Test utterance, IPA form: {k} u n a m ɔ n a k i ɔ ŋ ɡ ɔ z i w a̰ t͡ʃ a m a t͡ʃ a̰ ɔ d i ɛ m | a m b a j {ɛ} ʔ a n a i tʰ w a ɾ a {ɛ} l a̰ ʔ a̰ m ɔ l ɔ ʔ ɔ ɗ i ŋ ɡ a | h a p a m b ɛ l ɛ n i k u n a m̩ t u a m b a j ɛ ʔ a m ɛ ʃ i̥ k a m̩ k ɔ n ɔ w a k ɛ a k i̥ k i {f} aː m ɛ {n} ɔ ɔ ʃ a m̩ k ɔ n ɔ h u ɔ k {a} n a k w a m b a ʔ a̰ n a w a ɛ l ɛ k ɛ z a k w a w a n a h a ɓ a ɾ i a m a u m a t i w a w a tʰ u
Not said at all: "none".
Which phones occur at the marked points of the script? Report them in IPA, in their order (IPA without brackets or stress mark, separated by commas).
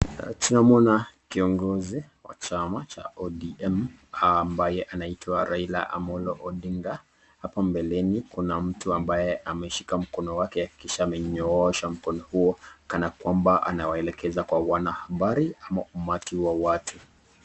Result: t, ɛ, i, ʃ, ɲ, a